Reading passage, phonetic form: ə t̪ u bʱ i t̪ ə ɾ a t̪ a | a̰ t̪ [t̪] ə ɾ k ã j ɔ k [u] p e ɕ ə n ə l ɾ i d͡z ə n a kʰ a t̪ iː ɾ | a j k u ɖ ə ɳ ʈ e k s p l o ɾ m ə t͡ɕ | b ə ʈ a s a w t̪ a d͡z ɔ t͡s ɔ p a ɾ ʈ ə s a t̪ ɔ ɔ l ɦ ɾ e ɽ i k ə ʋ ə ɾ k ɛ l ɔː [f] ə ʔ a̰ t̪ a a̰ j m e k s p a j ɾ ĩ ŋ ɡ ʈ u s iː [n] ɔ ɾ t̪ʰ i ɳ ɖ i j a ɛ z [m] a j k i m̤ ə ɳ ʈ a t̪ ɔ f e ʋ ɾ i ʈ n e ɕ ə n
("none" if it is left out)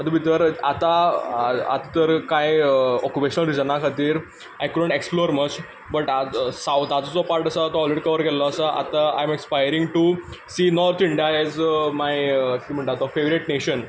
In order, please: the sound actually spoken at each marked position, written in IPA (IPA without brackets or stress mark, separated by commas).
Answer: t̪, u, s, n, m